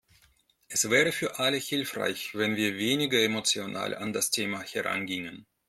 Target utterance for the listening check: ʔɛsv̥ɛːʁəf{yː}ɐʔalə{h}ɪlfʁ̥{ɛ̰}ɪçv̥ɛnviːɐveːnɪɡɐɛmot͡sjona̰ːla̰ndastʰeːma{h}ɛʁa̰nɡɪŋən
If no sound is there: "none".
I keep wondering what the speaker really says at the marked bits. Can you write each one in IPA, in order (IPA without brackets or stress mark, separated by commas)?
yː, h, a̰, h